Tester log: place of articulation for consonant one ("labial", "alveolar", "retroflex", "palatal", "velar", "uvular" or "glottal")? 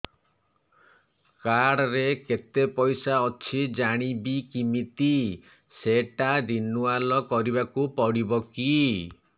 velar